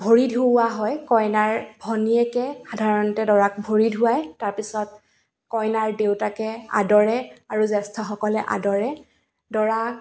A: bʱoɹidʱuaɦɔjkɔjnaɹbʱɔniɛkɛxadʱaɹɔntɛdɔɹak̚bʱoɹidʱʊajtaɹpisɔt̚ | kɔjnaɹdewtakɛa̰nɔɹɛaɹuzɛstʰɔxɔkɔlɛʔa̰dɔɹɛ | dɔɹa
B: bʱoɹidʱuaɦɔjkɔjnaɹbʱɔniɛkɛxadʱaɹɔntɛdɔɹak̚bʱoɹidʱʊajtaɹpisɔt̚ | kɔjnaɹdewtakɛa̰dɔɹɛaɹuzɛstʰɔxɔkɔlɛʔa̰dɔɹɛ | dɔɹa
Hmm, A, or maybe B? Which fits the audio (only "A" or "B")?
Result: B